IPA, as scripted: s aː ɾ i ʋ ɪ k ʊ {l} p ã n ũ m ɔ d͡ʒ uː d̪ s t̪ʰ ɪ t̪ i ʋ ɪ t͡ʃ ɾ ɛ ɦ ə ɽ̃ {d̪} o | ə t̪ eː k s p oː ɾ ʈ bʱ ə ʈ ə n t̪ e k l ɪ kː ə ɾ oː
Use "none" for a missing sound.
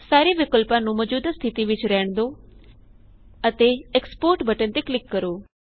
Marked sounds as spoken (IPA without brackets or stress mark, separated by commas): l, d̪